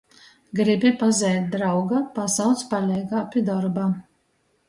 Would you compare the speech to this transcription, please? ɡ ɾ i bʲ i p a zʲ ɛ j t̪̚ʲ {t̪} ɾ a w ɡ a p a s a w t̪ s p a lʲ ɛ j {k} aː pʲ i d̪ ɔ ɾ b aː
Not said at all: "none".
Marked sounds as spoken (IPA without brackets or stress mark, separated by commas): d̪, ɡ